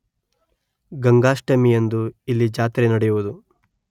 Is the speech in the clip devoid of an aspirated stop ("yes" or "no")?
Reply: yes